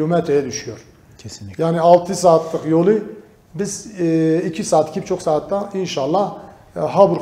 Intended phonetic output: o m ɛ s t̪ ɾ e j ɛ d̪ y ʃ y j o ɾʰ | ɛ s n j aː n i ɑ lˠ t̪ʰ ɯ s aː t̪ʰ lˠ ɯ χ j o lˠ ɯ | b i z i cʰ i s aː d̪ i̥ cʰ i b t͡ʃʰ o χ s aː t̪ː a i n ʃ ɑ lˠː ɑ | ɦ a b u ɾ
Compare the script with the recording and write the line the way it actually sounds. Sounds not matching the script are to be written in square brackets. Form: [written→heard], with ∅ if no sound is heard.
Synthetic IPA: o m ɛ [s→∅] t̪ ɾ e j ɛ d̪ y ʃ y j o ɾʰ | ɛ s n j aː n i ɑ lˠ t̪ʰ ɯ s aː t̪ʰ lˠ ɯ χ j o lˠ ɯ | b i z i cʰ i s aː [d̪→t̪] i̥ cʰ i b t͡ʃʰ o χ s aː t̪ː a i n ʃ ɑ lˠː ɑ | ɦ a b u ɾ